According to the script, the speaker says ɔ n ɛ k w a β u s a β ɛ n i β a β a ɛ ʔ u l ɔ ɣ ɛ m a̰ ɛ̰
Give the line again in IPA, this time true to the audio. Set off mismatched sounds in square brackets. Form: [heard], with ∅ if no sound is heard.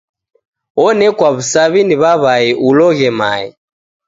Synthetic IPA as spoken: ɔ n ɛ k w a β u s a β [i] n i β a β a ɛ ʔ u l ɔ ɣ ɛ m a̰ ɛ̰